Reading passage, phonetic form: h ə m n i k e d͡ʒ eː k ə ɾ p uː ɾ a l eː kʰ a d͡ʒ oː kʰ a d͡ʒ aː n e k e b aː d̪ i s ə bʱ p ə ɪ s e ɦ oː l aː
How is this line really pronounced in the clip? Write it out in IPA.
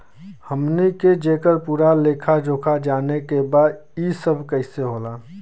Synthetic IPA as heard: h ə m n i k e d͡ʒ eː k ə ɾ p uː ɾ a l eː kʰ a d͡ʒ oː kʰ a d͡ʒ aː n e k e b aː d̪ i s ə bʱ k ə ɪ s e ɦ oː l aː